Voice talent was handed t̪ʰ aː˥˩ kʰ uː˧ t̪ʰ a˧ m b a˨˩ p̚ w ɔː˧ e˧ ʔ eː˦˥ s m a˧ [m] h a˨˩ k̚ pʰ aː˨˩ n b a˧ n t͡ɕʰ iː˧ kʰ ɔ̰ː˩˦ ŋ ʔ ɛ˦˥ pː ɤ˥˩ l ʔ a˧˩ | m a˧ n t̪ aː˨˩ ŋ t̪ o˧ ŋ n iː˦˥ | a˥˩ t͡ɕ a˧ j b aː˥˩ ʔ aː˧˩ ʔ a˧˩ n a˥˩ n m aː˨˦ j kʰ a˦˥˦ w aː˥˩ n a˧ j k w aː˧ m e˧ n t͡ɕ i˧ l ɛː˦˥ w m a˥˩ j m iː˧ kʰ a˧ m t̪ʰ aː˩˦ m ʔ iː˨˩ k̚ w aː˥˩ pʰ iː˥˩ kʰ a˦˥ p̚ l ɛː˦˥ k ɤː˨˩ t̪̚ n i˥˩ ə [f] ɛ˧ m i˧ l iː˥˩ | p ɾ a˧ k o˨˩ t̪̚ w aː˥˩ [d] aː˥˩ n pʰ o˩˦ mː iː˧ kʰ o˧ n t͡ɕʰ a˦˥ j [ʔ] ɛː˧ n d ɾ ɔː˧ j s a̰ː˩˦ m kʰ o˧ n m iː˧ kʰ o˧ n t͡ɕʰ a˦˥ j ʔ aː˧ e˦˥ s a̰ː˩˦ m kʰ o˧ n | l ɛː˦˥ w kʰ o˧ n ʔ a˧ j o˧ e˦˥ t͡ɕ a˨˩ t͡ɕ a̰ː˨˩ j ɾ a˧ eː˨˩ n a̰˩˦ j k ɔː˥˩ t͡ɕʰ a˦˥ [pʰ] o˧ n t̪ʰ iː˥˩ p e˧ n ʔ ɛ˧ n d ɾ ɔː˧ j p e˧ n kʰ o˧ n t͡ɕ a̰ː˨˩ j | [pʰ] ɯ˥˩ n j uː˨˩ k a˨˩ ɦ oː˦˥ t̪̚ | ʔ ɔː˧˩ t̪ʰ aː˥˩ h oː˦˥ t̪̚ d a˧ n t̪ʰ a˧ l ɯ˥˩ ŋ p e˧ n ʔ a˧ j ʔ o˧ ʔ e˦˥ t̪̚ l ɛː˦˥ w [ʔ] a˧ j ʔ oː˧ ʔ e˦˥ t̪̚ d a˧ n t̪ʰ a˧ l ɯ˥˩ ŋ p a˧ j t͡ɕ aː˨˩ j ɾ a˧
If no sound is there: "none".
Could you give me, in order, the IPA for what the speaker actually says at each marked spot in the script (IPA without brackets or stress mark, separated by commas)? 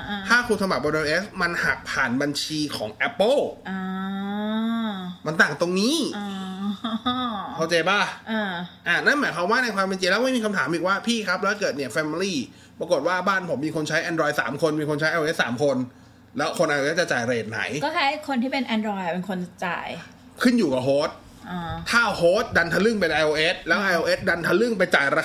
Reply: n, f, b, ʔ, kʰ, kʰ, ʔ